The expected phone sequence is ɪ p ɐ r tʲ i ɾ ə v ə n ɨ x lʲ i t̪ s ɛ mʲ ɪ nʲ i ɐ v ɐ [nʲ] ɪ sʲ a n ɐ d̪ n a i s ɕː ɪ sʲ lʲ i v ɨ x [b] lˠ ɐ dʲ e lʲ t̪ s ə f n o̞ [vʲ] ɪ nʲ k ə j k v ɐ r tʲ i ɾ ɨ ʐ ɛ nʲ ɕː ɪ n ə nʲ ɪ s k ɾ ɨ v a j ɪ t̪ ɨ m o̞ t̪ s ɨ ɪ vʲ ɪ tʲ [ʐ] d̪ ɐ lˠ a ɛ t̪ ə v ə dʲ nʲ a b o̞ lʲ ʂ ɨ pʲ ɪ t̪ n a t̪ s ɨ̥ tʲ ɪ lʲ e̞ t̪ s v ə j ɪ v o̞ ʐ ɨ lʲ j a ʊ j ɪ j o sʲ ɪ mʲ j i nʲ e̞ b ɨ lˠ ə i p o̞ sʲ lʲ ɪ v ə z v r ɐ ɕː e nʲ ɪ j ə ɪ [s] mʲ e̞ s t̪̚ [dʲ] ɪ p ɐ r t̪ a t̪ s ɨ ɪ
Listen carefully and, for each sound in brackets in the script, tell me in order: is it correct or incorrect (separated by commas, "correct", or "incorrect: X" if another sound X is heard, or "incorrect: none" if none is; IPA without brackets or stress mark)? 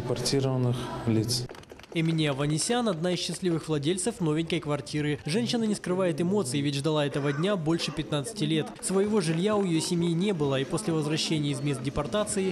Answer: correct, incorrect: v, correct, correct, incorrect: z, correct